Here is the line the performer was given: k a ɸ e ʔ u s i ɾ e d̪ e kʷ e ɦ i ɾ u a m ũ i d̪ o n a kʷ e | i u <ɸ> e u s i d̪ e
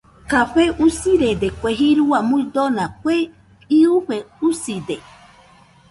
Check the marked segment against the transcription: correct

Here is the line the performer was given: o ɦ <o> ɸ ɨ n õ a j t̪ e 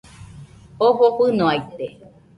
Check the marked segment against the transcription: correct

